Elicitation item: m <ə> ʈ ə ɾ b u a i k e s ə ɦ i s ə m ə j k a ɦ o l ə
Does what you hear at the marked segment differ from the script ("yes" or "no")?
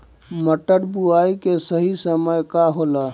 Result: no